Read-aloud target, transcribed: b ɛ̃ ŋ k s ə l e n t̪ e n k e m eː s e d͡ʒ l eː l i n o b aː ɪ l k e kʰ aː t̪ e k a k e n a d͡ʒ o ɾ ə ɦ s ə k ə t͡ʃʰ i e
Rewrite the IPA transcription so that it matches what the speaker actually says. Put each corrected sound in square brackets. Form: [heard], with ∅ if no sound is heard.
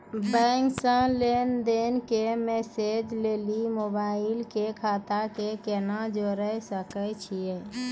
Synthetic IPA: b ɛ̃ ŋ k s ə l e n [d̪] e n k e m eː s e d͡ʒ l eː l i [m] o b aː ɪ l k e kʰ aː t̪ [a] k [e] k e n a d͡ʒ o ɾ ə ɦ s ə k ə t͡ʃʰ i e